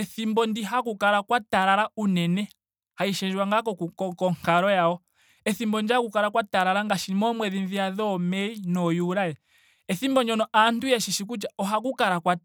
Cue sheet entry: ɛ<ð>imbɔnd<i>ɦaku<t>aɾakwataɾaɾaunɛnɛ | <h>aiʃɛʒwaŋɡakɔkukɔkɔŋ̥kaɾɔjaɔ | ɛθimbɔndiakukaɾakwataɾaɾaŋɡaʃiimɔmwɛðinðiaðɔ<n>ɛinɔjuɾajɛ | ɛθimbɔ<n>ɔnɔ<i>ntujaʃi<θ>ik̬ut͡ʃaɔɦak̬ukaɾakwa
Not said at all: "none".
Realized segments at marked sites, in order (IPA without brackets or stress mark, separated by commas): θ, i, k, h, m, ɲ, a, ʃ